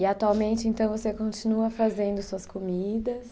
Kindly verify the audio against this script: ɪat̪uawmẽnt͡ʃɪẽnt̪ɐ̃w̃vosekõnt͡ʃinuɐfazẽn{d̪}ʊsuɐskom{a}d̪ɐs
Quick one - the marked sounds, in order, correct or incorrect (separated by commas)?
correct, incorrect